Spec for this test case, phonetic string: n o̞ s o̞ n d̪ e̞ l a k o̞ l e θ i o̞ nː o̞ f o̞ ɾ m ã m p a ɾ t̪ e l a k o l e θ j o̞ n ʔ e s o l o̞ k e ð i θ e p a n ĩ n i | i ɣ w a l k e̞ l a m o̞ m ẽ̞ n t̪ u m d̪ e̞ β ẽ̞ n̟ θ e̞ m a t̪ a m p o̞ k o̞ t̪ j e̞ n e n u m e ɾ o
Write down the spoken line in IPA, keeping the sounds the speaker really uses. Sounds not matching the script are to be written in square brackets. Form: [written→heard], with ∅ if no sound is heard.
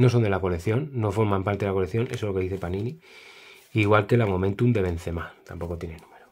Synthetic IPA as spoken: n o̞ s o̞ n d̪ e̞ l a k o̞ l e θ [i→j] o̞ nː o̞ f o̞ ɾ m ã m p a ɾ t̪ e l a k o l e θ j o̞ n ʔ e s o l o̞ k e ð i θ e p a n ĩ n i | i ɣ w a l k e̞ l a m o̞ m ẽ̞ n t̪ u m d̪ e̞ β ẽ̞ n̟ θ e̞ m a t̪ a m p o̞ k o̞ t̪ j e̞ n e n u m e ɾ o